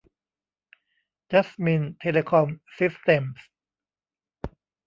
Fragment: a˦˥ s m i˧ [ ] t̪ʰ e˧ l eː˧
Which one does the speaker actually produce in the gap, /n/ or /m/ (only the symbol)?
n